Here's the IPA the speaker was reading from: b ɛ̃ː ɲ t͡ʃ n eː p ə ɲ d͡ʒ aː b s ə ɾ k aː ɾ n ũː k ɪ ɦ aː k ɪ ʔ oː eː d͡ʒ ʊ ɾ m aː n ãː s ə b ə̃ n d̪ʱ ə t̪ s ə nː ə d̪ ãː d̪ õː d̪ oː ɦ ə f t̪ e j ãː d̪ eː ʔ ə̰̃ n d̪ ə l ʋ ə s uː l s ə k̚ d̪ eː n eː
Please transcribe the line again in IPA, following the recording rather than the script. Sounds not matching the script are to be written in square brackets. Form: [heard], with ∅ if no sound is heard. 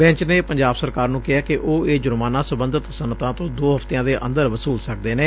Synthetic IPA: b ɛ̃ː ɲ t͡ʃ n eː p ə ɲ d͡ʒ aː b s ə ɾ k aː ɾ n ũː k ɪ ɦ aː k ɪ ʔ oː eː d͡ʒ ʊ ɾ m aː n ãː s ə b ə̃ n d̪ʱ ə t̪ s ə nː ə [t̪] ãː [t̪] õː d̪ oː ɦ ə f t̪ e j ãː d̪ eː ʔ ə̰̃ n d̪ ə [ɾ] ʋ ə s uː l s ə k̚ d̪ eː n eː